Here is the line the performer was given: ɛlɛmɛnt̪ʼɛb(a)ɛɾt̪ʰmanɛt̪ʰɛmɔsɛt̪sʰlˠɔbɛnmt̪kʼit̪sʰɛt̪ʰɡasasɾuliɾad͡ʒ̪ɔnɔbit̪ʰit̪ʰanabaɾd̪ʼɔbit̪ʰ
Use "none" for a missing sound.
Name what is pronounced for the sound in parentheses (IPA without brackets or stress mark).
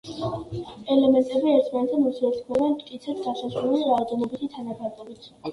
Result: i